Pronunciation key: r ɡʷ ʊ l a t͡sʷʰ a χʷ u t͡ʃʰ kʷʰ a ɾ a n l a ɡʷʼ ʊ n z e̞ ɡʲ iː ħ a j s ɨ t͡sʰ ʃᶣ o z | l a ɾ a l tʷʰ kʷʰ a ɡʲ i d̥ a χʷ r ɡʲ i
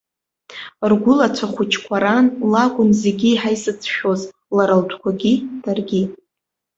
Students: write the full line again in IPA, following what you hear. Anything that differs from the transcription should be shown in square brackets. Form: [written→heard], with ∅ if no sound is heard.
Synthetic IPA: r ɡʷ ʊ l a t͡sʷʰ a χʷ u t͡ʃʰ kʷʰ a ɾ a n l a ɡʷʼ ʊ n z e̞ ɡʲ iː ħ a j s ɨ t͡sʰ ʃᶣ o z | l a ɾ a l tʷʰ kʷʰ a ɡʲ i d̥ a [χʷ→∅] r ɡʲ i